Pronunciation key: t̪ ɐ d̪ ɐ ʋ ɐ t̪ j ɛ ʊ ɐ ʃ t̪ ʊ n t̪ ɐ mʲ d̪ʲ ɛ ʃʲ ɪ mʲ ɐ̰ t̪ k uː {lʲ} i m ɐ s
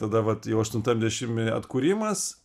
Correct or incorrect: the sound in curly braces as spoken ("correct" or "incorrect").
incorrect